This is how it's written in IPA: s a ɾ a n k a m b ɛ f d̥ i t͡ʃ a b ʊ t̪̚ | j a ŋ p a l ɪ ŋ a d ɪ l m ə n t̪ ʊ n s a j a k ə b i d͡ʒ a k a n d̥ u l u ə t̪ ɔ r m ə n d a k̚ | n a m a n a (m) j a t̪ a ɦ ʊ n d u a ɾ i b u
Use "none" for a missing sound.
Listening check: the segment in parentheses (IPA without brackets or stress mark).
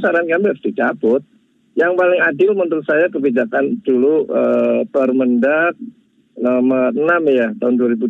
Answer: m